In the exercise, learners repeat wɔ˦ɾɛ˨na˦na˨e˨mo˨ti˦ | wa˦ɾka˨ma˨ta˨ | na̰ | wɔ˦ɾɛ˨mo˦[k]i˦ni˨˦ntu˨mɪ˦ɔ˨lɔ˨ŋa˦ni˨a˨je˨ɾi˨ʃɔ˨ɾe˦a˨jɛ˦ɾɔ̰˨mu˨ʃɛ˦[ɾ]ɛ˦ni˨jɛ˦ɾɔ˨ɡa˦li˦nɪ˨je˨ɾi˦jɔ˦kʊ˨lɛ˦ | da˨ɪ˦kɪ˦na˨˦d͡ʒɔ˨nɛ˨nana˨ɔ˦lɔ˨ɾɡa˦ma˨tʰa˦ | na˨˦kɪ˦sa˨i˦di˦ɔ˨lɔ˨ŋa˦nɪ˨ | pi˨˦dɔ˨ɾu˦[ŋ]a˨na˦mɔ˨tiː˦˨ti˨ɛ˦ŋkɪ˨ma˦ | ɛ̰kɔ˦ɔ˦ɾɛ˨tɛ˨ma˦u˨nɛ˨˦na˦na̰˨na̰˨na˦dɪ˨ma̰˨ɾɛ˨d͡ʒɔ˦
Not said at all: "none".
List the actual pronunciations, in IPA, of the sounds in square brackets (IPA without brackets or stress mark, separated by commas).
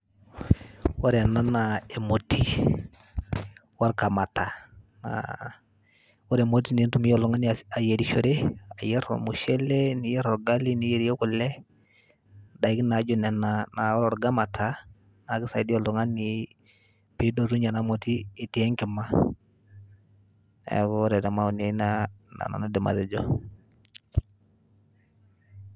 t, l, ɲ